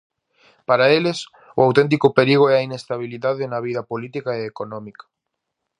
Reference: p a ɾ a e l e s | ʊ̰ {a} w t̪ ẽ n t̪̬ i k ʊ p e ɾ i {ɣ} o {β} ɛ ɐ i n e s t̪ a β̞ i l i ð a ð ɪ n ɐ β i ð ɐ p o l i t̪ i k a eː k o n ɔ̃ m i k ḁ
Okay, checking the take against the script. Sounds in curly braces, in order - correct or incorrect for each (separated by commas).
correct, correct, incorrect